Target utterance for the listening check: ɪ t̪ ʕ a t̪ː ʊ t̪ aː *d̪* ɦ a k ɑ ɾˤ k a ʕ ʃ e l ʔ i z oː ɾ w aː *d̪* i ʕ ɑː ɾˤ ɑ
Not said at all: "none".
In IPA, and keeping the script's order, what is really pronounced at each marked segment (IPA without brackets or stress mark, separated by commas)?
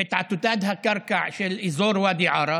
d̪, d̪